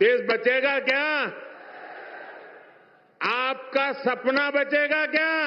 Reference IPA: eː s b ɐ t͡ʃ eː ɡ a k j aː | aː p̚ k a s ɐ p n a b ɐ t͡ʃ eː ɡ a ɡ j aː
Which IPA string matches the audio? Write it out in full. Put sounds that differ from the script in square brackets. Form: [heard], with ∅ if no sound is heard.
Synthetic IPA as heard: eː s b ɐ t͡ʃ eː ɡ a k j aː | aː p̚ k a s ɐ p n a b ɐ t͡ʃ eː ɡ a [k] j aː

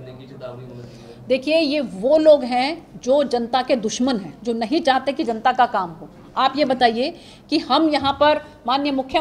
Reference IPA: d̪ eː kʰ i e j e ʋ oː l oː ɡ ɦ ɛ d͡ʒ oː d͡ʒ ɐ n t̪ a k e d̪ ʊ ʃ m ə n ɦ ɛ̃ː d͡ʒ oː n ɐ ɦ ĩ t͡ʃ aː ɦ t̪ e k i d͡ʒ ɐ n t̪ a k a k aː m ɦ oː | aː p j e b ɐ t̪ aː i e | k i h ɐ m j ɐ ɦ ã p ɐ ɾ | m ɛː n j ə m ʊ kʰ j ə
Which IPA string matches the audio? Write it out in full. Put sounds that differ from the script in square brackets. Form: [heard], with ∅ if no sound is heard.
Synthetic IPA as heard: d̪ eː kʰ i e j e ʋ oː l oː ɡ ɦ [ɛ̃] d͡ʒ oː d͡ʒ ɐ n t̪ a k e d̪ ʊ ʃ m ə n ɦ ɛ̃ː d͡ʒ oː n ɐ ɦ ĩ t͡ʃ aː ɦ t̪ e k i d͡ʒ ɐ n t̪ a k a k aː m ɦ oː | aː p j e b ɐ t̪ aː i e | k i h ɐ m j ɐ ɦ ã p ɐ ɾ | m [aː] n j ə m ʊ kʰ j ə

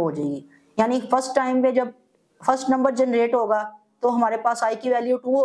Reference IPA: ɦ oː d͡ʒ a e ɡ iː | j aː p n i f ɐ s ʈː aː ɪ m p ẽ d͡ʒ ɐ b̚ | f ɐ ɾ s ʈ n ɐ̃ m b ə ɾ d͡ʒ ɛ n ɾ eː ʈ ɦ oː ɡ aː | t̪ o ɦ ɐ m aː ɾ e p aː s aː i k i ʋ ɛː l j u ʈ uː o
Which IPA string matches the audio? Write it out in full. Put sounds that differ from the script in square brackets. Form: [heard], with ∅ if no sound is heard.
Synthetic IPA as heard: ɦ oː d͡ʒ a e ɡ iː | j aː [∅] n i f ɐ s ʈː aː ɪ m p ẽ d͡ʒ ɐ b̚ | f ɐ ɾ s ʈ n ɐ̃ m b ə ɾ d͡ʒ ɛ n ɾ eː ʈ ɦ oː ɡ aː | t̪ o ɦ ɐ m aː ɾ e p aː s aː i k i ʋ ɛː l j u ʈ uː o

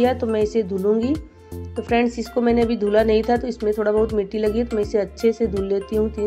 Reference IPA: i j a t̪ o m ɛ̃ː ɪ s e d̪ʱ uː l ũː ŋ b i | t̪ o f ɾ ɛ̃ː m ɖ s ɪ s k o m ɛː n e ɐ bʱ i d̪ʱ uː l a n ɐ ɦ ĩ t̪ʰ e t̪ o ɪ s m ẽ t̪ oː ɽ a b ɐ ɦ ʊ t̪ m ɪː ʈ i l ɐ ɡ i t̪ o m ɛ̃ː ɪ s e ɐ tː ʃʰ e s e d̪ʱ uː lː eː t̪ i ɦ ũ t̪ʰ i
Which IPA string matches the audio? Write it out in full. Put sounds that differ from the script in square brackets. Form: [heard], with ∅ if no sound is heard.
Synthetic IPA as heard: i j a t̪ o m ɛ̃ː ɪ s e d̪ʱ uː l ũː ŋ [ɡ] i | t̪ o f ɾ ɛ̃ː [ɳ] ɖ s ɪ s k o m ɛː n e ɐ bʱ i d̪ʱ uː l a n ɐ ɦ ĩ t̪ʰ [a] t̪ o ɪ s m ẽ [t̪ʰ] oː ɽ a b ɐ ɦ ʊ t̪ m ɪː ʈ i l ɐ ɡ i t̪ o m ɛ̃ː ɪ s e ɐ tː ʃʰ e s e d̪ʱ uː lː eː t̪ i ɦ ũ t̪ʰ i

